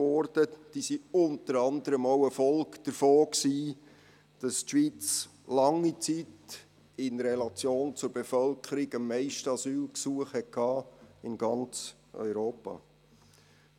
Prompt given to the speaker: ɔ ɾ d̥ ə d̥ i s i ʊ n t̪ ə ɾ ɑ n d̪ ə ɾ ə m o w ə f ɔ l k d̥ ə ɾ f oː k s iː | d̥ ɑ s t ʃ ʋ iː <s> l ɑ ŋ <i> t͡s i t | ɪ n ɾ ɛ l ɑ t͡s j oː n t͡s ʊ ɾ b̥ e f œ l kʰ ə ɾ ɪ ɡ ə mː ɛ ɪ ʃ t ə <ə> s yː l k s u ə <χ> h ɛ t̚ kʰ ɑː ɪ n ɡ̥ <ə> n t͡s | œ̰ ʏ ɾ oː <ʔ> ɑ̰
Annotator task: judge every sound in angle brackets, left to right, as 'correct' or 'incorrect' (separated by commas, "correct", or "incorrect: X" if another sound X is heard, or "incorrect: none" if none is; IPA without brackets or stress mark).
incorrect: t͡s, correct, incorrect: ɑ, correct, incorrect: ɑ, incorrect: p